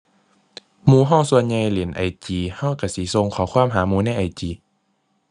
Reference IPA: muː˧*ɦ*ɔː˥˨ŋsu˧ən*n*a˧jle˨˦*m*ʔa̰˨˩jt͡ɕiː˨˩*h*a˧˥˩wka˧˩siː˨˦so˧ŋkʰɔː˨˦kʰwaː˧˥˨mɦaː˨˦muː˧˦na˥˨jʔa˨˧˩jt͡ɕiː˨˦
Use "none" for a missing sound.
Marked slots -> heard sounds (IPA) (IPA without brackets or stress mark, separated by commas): ɦ, ɲ, n, h